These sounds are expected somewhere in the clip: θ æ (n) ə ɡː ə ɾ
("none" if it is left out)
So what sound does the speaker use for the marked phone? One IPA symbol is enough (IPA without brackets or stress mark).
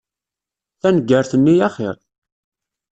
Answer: n